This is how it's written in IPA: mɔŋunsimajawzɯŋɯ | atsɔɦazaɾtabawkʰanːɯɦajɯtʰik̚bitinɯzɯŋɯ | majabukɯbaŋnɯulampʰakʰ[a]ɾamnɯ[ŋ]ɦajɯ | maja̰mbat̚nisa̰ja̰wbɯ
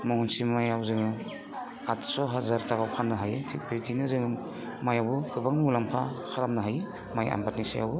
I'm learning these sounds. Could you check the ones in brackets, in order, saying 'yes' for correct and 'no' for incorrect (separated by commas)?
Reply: yes, no